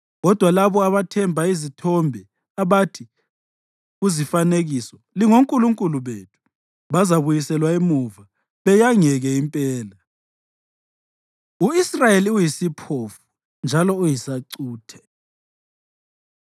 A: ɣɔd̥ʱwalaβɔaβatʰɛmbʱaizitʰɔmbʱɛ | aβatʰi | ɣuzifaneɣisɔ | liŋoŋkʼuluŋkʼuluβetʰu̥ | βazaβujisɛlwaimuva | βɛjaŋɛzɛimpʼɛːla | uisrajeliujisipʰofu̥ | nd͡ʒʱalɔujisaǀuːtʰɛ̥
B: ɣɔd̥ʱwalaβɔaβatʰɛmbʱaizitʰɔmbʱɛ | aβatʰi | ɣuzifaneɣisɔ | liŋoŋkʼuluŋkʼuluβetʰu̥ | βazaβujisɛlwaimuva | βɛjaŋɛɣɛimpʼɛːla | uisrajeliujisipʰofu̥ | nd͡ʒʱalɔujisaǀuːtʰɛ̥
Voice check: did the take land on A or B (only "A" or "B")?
B